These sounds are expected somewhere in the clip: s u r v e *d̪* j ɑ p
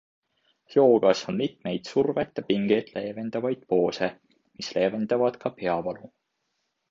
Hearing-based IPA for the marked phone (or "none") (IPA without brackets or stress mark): t̪